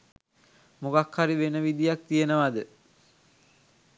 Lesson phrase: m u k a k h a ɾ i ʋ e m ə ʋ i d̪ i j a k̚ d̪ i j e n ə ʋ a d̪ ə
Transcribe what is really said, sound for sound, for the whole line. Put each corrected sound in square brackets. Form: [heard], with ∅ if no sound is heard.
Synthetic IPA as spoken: m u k a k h a ɾ i ʋ e [n] ə ʋ i d̪ i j a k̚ [t̪] i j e n ə ʋ a d̪ ə

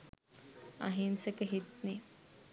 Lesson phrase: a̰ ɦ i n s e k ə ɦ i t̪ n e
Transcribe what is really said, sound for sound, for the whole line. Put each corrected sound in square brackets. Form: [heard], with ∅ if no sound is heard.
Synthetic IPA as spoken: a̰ ɦ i n s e k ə ɦ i t̪ n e

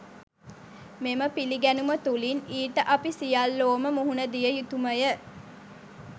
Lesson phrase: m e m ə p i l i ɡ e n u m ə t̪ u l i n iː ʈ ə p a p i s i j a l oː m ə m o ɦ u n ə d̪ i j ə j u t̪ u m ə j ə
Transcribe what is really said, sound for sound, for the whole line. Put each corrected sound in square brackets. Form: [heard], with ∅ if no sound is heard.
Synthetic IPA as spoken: m e m ə p i l i ɡ [æ] n u m ə t̪ u l i n iː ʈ ə [ʔ] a p i s i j a [lː] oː m ə m [u] ɦ u n ə d̪ i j ə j u t̪ u m ə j ə

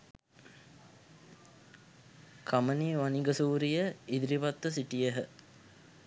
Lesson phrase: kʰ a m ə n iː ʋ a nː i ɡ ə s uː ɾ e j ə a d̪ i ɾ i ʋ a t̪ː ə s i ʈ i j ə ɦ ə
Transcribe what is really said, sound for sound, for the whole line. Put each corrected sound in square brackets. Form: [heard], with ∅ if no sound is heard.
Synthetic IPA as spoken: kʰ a m ə n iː ʋ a [n] i ɡ ə s uː ɾ [i] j ə [i] d̪ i ɾ i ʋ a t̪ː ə s i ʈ i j ə ɦ ə

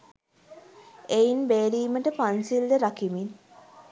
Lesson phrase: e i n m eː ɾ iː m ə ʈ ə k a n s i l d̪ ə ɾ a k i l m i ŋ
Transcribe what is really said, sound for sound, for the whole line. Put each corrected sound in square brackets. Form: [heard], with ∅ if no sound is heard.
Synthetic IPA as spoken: e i n [b] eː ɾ iː m ə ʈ ə [p] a n s i l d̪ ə ɾ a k i [∅] m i [n]

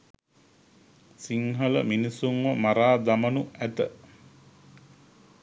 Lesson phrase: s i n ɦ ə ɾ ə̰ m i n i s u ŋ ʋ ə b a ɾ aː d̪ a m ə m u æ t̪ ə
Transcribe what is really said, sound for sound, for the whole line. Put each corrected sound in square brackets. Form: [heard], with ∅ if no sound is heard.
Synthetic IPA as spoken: s i [ŋ] ɦ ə [l] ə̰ m i n i s u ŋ ʋ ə [m] a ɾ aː d̪ a m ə [n] u æ t̪ ə

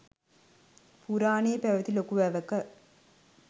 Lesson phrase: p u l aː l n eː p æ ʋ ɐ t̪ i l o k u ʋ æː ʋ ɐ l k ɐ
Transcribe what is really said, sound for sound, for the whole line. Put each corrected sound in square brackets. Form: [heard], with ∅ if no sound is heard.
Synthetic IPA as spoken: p u [ɾ] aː [∅] n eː p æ ʋ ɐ t̪ i l o k u ʋ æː ʋ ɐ [∅] k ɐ

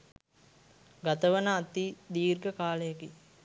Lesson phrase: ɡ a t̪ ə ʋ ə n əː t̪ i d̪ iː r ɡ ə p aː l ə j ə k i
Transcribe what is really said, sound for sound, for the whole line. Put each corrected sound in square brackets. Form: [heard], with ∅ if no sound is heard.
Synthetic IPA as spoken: ɡ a t̪ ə ʋ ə n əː t̪ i d̪ iː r ɡ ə [k] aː l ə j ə k i

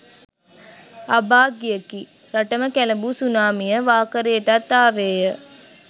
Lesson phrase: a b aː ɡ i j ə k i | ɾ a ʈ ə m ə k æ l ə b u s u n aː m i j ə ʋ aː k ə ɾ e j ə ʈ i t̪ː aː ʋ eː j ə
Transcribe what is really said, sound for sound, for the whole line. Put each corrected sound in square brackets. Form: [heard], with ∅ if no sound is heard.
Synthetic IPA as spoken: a b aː ɡ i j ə k i | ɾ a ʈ ə m ə k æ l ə b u s u n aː m i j ə ʋ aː k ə ɾ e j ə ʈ [a] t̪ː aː ʋ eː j ə

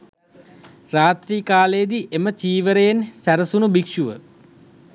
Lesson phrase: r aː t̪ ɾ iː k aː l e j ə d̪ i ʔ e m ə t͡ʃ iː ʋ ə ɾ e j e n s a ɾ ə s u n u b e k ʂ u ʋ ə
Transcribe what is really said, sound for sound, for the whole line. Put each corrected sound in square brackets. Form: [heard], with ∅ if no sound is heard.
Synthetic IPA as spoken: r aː t̪ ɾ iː k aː l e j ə d̪ i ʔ e m ə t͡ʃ iː ʋ ə ɾ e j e n s [æ] ɾ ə s u n u b [i] k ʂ u ʋ ə

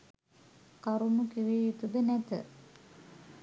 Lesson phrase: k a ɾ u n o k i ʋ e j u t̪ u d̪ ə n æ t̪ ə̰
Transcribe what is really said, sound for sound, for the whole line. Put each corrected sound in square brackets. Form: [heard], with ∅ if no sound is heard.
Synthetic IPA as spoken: k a ɾ u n [u] k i ʋ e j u t̪ u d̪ ə n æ t̪ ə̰

